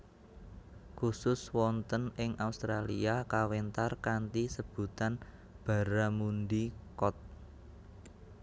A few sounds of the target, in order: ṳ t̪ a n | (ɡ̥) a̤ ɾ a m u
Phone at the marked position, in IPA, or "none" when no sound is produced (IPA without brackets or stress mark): b̥